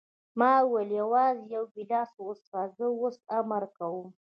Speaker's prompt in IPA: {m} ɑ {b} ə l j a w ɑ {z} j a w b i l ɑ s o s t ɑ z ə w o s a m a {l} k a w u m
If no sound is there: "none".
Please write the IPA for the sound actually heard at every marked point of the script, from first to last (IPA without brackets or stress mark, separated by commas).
m, w, z, ɾ